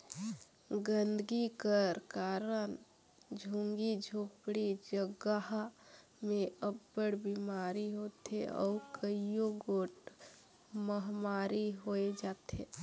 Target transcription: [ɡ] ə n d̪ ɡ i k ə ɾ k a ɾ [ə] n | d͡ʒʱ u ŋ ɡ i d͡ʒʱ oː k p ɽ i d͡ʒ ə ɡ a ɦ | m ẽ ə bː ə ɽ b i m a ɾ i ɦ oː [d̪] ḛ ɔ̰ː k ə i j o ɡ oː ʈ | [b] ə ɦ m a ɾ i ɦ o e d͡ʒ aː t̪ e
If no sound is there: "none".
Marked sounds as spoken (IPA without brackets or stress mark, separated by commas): ɡ, ə, t̪, m